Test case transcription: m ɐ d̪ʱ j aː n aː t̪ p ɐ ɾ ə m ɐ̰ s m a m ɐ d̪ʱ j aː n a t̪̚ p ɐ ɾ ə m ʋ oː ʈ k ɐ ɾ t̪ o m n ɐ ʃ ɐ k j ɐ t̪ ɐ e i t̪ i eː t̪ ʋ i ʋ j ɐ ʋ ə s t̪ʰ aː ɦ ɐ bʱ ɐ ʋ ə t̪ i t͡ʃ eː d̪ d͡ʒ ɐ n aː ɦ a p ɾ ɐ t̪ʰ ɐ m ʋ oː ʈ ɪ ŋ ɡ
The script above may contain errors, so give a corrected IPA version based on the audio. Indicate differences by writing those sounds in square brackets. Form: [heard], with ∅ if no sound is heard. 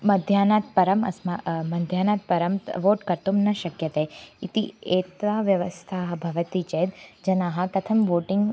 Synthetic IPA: m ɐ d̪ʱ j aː n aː t̪ p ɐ ɾ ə m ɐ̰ s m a m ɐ d̪ʱ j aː n a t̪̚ p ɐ ɾ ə m ʋ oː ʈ k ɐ ɾ t̪ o m n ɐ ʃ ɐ k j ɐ t̪ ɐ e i t̪ i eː t̪ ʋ [a] ʋ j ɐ ʋ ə s t̪ʰ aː ɦ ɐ bʱ ɐ ʋ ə t̪ i t͡ʃ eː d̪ d͡ʒ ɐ n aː ɦ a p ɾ ɐ t̪ʰ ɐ m ʋ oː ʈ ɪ ŋ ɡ